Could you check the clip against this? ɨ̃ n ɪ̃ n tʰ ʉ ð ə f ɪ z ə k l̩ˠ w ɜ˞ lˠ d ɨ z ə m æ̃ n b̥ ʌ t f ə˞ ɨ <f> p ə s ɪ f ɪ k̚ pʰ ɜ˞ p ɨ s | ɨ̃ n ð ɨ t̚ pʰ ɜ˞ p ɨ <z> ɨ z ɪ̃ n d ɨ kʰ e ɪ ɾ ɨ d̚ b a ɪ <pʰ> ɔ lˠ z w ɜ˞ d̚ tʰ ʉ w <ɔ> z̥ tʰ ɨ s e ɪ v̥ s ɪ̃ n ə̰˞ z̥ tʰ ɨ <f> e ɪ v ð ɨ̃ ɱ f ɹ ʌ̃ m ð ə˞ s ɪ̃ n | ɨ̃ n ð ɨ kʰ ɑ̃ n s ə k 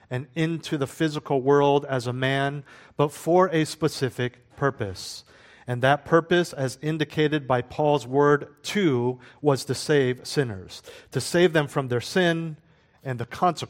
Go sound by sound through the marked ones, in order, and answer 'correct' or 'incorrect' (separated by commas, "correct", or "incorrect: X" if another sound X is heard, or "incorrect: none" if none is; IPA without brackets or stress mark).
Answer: incorrect: s, incorrect: s, correct, incorrect: ʌ, incorrect: s